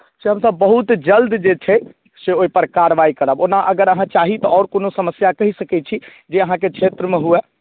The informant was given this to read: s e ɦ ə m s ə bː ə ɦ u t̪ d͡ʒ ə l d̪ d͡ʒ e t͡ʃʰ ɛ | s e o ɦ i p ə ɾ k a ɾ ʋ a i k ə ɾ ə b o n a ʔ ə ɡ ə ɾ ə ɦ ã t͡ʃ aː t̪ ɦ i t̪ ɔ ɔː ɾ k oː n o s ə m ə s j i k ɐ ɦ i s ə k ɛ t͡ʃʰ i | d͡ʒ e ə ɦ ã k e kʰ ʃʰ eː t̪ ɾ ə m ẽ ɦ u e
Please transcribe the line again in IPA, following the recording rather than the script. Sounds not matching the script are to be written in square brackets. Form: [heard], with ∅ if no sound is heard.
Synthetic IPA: s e ɦ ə m s ə bː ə ɦ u t̪ d͡ʒ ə l d̪ d͡ʒ e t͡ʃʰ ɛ | s e o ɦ i p ə ɾ k a ɾ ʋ a i k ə ɾ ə b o n a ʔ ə ɡ ə ɾ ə ɦ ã t͡ʃ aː [∅] ɦ i t̪ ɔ ɔː ɾ k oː n o s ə m ə s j [a] k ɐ ɦ i s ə k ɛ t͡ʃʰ i | d͡ʒ e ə ɦ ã k e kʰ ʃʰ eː t̪ ɾ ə m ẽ ɦ u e